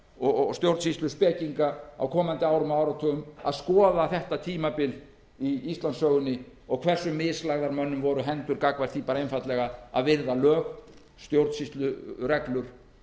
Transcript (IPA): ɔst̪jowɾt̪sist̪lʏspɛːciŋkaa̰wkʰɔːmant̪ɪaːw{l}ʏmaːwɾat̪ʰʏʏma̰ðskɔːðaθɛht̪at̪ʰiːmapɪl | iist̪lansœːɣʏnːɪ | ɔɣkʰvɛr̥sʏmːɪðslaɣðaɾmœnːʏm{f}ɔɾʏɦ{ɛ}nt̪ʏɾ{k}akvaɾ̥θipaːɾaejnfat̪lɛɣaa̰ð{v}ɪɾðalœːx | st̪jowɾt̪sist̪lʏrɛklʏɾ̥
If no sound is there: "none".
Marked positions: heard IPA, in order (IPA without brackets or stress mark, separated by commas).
ɾ, v, ɛ, k, v